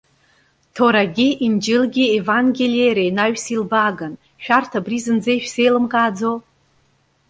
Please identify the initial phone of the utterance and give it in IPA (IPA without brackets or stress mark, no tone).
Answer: tʰ